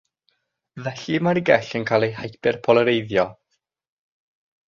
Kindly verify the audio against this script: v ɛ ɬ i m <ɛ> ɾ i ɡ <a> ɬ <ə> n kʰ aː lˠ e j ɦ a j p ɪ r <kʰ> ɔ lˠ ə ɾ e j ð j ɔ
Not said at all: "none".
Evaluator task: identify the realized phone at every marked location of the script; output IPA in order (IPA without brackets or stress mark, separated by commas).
a, ɛ, ə, pʰ